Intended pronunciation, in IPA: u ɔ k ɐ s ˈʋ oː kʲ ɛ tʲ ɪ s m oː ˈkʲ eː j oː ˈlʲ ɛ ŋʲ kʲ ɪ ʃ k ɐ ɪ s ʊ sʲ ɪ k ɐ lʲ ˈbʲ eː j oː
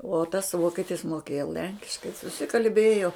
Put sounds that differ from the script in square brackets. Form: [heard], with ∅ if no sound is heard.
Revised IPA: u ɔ [t] ɐ s ˈʋ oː kʲ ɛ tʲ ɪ s m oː ˈkʲ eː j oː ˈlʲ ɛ ŋʲ kʲ ɪ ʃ k ɐ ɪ s ʊ sʲ ɪ k ɐ lʲ ˈbʲ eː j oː